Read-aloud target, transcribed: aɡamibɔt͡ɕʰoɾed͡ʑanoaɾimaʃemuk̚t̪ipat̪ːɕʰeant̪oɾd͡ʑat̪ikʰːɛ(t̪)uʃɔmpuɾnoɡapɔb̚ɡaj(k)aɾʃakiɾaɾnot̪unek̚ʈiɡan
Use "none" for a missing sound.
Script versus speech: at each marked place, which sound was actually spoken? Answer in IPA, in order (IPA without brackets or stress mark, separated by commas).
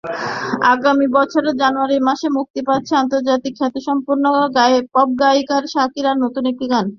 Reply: t̪, k